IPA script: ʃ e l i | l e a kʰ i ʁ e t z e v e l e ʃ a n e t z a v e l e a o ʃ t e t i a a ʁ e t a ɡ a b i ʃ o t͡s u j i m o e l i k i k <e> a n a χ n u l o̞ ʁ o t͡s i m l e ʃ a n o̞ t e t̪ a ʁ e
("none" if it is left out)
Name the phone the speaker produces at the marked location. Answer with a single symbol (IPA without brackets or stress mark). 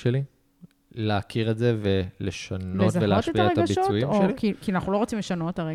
i